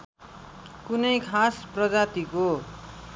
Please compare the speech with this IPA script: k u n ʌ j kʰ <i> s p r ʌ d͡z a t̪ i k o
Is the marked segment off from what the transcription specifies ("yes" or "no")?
yes